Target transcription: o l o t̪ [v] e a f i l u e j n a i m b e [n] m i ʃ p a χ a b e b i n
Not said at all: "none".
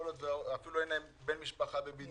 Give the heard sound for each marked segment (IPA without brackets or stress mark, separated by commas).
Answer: v, n